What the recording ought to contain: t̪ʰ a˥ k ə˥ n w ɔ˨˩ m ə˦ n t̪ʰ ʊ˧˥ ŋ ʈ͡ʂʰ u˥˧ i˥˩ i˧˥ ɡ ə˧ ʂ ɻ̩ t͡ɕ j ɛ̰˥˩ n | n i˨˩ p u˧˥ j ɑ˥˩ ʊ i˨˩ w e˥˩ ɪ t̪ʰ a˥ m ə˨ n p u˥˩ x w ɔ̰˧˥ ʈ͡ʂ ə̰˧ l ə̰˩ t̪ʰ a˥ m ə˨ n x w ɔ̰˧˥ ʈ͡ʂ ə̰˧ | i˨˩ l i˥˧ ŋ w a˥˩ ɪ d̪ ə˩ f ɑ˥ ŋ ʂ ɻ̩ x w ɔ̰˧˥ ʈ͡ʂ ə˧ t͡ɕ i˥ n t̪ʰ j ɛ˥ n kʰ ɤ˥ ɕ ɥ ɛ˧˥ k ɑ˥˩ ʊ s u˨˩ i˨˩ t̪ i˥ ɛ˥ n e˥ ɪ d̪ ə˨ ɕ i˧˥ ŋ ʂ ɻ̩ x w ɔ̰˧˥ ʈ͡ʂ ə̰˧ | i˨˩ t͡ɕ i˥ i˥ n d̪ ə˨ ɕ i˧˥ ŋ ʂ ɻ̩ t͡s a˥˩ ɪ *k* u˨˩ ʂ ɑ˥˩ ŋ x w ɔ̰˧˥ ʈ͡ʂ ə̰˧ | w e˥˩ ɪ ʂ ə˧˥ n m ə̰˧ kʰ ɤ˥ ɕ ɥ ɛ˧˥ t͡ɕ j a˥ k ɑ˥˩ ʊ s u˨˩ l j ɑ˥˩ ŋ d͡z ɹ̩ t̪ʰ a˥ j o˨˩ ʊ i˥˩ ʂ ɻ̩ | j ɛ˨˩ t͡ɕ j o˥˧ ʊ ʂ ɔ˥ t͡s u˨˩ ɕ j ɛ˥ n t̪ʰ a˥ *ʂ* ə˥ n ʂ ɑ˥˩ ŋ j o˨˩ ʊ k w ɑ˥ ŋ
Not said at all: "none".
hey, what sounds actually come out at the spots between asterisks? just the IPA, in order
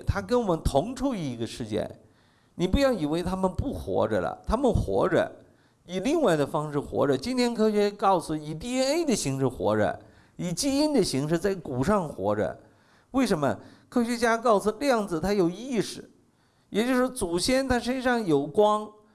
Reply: k, ʂ

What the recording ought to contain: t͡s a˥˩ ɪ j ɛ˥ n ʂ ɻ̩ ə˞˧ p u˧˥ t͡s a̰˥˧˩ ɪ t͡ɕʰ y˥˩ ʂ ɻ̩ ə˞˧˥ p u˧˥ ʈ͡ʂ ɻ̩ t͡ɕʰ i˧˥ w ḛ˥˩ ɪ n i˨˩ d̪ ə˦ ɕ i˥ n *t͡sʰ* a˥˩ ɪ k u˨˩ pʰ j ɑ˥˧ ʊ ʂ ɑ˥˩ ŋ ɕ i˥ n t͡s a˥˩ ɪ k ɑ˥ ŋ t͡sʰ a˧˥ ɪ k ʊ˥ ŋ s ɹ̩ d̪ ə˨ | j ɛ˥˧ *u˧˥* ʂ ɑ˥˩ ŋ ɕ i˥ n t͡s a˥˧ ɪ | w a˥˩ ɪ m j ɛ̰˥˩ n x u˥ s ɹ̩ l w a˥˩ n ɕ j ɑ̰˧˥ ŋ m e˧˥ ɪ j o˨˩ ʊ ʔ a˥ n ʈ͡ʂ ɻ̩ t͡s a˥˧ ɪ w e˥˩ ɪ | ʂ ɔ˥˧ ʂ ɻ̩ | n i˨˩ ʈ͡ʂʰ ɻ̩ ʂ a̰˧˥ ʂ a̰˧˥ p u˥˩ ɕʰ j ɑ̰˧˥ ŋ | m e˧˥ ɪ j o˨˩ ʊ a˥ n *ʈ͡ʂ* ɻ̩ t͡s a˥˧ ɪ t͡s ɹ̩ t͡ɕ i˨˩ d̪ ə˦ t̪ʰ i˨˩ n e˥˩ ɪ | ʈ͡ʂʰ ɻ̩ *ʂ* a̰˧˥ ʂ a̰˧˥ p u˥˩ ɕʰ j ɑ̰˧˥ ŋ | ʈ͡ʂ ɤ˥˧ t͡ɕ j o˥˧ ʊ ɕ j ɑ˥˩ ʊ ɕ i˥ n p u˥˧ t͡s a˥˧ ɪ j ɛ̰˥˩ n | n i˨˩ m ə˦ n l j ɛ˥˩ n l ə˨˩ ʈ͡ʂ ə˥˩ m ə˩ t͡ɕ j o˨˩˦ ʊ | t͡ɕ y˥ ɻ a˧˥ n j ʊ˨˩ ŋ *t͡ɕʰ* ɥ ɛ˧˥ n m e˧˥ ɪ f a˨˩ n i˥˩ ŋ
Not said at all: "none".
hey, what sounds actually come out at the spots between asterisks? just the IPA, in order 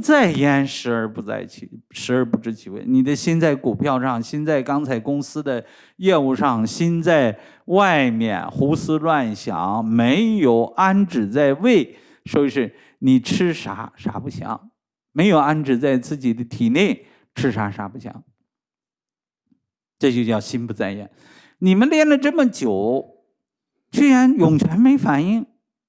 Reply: t͡s, u˥˧, ʈ͡ʂ, ʂ, t͡ɕʰ

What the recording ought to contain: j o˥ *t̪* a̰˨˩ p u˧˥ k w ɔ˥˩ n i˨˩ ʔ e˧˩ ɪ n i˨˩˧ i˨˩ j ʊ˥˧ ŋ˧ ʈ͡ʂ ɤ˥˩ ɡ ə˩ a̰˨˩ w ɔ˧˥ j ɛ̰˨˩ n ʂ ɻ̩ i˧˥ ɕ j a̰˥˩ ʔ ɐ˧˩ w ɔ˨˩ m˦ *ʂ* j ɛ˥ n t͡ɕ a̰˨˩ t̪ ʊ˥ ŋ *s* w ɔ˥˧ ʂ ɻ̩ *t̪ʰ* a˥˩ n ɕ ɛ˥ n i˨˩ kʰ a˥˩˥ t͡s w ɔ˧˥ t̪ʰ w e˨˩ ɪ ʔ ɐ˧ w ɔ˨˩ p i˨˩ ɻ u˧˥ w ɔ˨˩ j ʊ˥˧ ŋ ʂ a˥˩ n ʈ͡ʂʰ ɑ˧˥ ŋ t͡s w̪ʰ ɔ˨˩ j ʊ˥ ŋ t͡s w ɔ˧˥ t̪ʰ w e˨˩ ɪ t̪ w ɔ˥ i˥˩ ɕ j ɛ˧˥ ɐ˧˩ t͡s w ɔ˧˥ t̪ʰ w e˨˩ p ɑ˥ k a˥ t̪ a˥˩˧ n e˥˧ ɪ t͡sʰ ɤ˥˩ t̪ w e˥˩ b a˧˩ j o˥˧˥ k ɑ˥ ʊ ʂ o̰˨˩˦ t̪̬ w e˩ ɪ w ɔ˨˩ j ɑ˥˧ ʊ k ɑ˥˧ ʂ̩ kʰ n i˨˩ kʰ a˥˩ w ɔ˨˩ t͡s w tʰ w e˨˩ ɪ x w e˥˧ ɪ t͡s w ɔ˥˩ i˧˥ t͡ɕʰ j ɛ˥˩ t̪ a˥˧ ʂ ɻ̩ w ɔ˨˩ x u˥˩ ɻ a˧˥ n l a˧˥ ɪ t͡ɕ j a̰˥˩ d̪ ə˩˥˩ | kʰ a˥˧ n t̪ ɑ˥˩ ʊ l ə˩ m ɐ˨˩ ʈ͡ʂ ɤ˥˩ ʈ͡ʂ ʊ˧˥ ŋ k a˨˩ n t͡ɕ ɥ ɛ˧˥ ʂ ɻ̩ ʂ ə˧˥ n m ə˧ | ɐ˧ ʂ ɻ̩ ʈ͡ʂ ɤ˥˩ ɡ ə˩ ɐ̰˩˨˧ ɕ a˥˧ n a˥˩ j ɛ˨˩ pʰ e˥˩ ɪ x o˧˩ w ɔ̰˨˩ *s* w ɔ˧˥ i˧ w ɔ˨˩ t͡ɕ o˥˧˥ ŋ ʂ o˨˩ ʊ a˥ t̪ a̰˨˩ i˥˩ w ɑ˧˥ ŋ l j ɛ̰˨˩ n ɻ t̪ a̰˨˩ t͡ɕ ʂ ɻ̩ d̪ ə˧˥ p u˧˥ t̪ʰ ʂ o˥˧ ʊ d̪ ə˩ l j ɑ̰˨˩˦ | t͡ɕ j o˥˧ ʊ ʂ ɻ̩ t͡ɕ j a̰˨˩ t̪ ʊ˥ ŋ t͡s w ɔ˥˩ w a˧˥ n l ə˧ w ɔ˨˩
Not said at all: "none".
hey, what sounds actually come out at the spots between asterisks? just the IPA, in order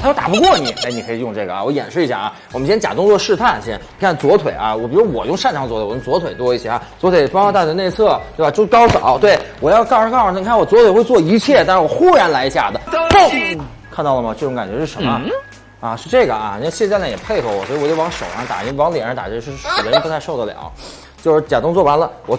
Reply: t̪, ɕ, t͡s, t̪ʰ, s

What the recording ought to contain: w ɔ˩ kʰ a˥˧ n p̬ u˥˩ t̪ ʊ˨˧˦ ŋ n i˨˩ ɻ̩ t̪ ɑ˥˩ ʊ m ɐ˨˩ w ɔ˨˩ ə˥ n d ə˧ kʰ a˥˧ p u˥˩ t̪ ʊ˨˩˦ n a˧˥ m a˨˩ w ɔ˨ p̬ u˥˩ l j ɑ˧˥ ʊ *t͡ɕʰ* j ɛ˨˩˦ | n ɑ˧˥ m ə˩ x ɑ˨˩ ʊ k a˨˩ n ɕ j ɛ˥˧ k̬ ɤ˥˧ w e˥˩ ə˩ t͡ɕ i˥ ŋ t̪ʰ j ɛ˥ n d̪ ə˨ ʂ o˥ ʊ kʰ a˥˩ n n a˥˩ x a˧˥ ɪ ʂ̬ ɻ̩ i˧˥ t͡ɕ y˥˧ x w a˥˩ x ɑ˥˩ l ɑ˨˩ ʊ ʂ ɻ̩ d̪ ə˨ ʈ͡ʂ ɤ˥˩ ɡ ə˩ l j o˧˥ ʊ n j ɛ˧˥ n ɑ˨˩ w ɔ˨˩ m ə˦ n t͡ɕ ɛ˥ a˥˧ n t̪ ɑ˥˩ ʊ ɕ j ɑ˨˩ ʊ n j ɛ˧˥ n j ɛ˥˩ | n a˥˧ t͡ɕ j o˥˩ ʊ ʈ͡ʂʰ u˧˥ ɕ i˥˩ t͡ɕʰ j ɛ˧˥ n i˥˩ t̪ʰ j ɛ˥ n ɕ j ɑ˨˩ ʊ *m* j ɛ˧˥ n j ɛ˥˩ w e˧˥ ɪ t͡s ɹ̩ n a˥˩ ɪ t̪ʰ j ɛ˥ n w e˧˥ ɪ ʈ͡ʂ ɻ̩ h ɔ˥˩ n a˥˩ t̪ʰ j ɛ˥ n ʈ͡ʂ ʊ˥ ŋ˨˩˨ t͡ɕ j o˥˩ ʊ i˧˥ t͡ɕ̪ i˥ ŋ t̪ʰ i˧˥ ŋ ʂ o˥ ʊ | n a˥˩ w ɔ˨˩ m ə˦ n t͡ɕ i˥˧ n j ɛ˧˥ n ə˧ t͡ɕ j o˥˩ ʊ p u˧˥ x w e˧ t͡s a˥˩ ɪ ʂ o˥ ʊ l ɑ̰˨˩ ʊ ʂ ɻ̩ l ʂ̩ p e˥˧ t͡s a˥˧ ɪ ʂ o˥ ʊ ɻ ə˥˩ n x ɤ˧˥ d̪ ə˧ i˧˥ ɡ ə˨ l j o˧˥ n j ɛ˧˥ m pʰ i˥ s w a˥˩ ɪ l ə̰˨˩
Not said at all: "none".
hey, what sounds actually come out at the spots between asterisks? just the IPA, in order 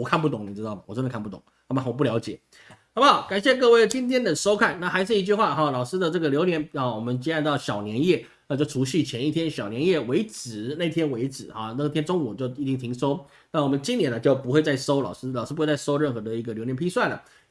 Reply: t͡ɕ, n

